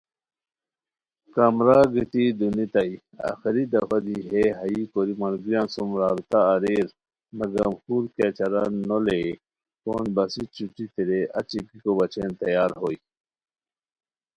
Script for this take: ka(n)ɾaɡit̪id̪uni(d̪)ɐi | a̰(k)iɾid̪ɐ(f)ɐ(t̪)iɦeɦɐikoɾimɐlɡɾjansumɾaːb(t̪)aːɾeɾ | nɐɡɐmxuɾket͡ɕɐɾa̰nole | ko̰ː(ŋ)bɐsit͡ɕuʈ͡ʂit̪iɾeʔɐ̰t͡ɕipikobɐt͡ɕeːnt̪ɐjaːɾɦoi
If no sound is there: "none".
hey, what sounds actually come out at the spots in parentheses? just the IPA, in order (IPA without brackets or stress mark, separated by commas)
m, t̪, x, f, d̪, t̪, n